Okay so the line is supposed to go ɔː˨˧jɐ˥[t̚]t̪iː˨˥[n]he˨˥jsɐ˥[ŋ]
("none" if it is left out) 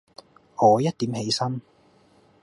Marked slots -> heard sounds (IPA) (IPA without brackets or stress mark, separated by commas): t̚, m, n